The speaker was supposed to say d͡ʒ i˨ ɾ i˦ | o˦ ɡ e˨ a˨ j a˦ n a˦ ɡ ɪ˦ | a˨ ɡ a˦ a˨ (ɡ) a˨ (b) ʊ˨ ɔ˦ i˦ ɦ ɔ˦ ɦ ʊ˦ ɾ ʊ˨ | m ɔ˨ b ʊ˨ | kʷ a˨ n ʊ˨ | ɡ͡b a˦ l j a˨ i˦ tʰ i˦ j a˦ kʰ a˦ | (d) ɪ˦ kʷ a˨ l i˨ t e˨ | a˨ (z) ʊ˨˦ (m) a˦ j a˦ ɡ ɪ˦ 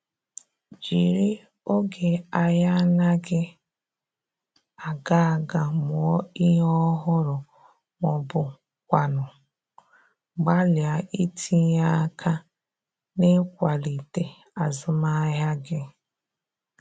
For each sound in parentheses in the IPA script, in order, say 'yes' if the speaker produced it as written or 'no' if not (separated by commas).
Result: yes, no, no, yes, yes